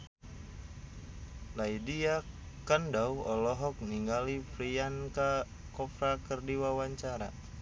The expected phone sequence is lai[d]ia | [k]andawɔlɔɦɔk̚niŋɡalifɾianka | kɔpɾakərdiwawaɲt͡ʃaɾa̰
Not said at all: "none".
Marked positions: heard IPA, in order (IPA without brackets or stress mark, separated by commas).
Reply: d, k